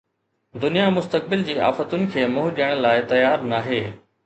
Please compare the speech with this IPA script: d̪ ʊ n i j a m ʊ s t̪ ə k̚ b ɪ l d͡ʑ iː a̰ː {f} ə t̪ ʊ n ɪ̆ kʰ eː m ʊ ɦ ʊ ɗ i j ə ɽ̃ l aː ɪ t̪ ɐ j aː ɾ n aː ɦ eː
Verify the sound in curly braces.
correct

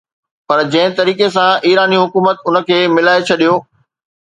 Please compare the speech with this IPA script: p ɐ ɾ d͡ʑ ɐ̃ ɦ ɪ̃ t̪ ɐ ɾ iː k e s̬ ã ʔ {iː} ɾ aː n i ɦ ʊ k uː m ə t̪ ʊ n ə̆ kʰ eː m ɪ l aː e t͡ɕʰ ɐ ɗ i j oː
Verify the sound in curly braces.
correct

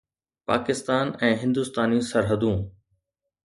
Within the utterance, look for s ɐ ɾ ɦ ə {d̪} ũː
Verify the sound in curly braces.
correct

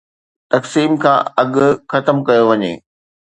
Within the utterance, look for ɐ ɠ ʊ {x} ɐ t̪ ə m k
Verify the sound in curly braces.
correct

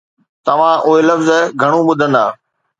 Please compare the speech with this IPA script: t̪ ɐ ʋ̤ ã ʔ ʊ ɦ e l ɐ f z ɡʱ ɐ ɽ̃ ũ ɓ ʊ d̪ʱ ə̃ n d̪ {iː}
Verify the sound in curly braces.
incorrect: aː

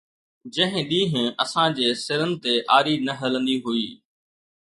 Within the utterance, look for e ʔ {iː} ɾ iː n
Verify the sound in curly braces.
incorrect: aː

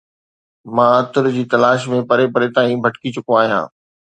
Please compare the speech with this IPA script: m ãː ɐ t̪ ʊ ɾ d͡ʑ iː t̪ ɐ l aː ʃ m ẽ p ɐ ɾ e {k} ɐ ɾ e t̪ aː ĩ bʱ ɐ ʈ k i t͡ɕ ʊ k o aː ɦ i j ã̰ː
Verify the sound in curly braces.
incorrect: p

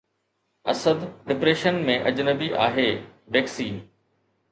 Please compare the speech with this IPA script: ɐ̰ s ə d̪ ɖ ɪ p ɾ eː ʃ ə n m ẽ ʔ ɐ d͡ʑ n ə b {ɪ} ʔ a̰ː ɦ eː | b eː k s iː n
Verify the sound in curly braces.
incorrect: i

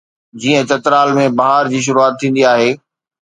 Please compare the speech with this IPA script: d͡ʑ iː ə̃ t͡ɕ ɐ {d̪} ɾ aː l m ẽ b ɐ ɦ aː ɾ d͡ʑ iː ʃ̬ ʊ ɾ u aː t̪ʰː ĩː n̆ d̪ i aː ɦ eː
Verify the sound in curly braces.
incorrect: t̪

